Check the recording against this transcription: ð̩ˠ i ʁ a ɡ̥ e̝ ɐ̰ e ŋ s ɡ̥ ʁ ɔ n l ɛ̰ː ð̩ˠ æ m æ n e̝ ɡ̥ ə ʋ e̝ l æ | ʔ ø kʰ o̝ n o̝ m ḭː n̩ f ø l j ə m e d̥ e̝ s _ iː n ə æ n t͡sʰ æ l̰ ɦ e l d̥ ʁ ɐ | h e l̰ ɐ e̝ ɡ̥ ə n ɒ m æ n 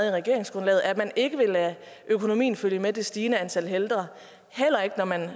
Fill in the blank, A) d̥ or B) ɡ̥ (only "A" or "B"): A